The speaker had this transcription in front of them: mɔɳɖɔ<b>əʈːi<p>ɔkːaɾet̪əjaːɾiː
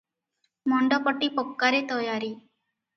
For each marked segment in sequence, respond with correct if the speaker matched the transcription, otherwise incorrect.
incorrect, correct

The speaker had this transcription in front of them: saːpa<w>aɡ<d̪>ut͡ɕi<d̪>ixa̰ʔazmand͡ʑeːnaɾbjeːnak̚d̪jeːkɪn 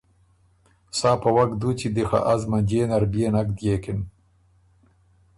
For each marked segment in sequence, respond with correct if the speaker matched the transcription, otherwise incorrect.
correct, correct, correct

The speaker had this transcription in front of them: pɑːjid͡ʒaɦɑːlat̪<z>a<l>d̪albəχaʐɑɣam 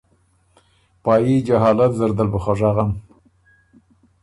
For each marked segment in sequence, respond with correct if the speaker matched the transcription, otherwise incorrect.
correct, incorrect

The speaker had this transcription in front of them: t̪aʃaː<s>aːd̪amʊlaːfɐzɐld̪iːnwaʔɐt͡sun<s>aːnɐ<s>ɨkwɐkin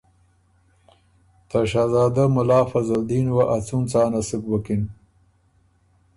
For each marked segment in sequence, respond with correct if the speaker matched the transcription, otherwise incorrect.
incorrect, incorrect, correct

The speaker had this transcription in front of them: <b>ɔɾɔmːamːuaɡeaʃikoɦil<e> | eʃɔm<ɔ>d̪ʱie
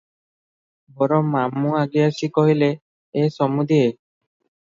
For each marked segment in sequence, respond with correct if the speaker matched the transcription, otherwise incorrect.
correct, correct, incorrect

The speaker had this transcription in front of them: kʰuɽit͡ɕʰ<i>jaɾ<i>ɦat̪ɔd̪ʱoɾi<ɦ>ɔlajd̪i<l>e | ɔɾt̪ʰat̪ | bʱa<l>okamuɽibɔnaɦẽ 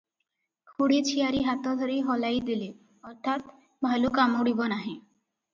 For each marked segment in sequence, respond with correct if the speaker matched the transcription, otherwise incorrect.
correct, correct, correct, correct, correct

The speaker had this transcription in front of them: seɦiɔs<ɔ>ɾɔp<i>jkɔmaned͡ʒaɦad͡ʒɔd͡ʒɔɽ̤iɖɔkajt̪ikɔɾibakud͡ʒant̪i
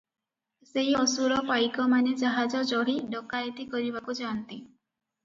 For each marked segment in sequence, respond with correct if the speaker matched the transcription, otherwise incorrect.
incorrect, incorrect

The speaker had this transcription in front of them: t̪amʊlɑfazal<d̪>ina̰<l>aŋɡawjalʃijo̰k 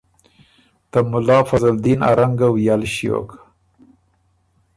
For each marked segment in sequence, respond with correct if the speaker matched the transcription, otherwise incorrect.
correct, incorrect

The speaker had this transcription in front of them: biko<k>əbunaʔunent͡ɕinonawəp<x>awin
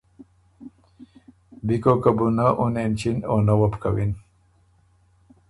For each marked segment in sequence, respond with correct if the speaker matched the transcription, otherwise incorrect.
correct, incorrect

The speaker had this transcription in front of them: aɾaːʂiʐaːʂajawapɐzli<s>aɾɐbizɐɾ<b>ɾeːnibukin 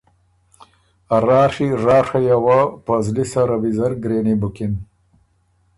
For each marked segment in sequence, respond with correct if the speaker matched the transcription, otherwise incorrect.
correct, incorrect

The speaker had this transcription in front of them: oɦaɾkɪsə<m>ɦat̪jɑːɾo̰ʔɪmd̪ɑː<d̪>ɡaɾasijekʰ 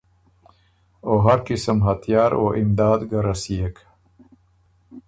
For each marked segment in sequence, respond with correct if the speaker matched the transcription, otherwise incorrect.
correct, correct

